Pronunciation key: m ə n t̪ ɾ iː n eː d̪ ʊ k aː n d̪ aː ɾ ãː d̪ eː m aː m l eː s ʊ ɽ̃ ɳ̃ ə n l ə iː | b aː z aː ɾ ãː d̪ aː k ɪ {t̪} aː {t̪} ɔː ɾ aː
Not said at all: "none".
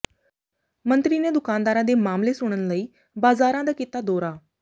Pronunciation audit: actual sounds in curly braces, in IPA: t̪, d̪

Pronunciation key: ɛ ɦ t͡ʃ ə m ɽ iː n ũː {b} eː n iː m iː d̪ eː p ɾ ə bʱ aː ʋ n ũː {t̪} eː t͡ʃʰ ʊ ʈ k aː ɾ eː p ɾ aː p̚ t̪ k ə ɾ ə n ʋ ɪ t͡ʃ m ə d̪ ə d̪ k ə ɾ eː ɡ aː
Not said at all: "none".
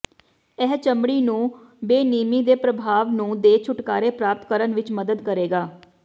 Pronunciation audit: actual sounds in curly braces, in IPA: b, d̪

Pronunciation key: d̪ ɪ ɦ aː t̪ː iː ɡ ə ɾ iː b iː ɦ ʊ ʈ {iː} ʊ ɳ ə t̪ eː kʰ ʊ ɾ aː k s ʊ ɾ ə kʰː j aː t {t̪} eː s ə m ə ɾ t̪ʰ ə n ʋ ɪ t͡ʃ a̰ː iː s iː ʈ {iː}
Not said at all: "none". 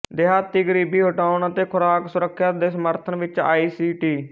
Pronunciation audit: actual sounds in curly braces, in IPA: aː, d̪, iː

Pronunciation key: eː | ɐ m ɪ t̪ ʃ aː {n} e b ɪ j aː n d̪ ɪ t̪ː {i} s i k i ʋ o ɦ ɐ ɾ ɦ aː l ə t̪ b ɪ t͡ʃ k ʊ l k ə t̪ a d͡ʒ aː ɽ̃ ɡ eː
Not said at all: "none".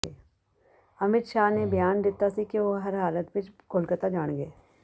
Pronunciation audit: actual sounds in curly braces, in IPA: n, a

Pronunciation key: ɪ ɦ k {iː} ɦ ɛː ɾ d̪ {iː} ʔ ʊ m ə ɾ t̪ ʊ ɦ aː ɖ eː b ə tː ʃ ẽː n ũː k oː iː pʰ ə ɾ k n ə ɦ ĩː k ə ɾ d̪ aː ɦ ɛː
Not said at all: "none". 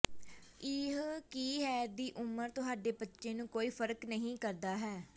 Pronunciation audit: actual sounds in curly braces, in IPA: iː, iː

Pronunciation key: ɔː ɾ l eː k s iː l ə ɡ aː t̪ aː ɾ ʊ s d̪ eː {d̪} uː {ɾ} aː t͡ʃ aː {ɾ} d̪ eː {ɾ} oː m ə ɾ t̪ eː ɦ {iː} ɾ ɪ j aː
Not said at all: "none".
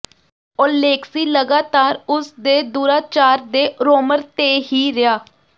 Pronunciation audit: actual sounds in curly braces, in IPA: d̪, ɾ, ɾ, ɾ, iː

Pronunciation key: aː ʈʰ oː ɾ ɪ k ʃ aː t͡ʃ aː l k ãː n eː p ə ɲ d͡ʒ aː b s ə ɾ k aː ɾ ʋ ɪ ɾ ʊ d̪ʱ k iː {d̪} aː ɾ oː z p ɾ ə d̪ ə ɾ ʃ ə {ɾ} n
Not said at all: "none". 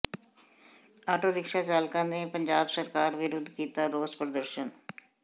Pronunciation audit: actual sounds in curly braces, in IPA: t̪, none

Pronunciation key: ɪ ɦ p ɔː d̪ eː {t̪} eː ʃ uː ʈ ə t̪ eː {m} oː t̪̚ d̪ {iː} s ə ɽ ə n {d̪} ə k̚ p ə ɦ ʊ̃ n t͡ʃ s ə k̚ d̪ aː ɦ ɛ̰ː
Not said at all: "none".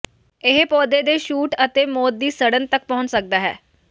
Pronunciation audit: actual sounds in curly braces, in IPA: d̪, m, iː, t̪

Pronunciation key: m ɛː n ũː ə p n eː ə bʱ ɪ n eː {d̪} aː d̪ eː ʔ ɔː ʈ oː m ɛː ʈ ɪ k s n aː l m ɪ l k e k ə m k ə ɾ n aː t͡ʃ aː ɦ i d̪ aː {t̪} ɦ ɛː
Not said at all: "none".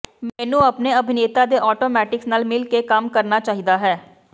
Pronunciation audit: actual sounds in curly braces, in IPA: t̪, none

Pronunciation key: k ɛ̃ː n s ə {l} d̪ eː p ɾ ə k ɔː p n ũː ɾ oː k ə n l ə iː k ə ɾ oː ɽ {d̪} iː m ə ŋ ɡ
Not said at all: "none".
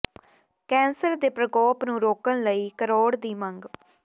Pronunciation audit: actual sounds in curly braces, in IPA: ɾ, d̪

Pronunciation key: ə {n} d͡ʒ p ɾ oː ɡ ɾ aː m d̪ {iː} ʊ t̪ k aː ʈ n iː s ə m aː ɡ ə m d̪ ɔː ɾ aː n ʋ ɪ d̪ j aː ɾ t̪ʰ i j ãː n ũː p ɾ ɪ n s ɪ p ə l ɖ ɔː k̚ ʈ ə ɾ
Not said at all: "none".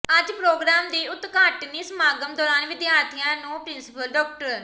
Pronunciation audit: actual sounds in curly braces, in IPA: none, iː

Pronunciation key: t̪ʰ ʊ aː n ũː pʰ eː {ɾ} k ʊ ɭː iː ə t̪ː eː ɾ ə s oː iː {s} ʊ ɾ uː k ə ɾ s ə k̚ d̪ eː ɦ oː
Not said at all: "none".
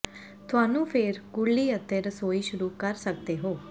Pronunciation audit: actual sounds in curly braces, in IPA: ɾ, ʃ

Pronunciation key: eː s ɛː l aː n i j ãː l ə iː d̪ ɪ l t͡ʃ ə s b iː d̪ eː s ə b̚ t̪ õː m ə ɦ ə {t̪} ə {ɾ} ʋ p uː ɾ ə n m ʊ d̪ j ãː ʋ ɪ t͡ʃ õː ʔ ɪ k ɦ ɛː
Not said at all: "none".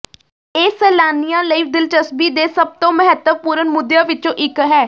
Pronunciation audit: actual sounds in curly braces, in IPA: t̪, none

